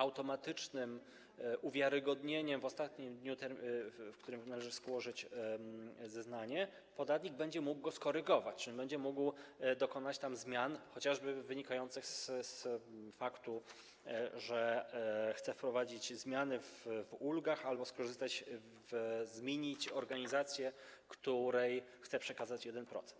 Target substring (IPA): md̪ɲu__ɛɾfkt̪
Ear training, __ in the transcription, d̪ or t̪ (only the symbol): t̪